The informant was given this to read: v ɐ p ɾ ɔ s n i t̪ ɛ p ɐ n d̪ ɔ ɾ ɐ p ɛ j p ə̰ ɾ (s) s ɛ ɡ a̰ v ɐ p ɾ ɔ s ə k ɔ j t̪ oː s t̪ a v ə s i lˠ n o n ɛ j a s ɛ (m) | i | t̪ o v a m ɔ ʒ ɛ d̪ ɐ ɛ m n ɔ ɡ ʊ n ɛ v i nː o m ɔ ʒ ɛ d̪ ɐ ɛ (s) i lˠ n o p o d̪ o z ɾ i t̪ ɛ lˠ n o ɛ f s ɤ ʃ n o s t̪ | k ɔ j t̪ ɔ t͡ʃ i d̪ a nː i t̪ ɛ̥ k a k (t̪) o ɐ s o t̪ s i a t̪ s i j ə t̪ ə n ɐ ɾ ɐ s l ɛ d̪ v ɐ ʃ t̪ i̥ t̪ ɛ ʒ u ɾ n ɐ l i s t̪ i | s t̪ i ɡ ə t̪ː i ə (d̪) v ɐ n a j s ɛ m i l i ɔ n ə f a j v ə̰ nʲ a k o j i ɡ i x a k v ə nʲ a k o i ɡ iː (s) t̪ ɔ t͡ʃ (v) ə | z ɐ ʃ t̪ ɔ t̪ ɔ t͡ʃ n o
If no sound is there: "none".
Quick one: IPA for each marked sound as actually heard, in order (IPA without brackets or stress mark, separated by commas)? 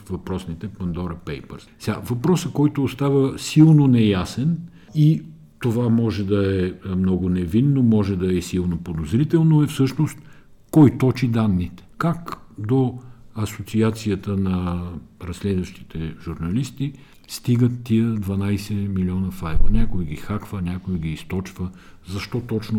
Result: s, n, s, d̪, d̪, s, v